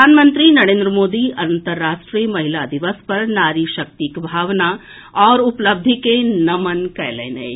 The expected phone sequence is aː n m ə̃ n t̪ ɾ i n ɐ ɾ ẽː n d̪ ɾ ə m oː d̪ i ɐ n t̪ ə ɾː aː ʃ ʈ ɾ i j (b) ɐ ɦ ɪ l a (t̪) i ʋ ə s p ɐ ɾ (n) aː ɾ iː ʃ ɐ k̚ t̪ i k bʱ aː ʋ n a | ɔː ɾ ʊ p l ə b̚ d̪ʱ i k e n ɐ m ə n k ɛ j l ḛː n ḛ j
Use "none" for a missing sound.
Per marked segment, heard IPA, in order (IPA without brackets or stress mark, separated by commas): m, d̪, n